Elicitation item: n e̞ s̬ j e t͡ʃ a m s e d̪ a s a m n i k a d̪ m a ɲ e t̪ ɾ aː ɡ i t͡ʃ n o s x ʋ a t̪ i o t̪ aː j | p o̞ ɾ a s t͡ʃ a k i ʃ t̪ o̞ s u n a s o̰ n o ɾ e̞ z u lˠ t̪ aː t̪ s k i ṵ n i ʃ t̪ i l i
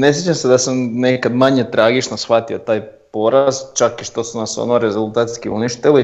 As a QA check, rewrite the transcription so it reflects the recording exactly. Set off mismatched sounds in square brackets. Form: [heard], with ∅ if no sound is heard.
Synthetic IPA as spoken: n e̞ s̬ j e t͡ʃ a m s e d̪ a s a m n [e] k a d̪ m a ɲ e t̪ ɾ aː ɡ i t͡ʃ n o s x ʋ a t̪ i o t̪ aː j | p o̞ ɾ a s t͡ʃ a k i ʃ t̪ o̞ s u n a s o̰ n o ɾ e̞ z u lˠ t̪ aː t̪ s k i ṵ n i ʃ t̪ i l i